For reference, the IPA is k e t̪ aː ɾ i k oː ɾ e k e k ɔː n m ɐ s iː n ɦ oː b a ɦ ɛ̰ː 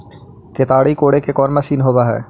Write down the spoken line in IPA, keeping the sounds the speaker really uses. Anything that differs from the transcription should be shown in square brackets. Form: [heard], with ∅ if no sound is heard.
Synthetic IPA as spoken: k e t̪ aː [ɽ] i k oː [ɽ] e k e k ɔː n m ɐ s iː n ɦ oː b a ɦ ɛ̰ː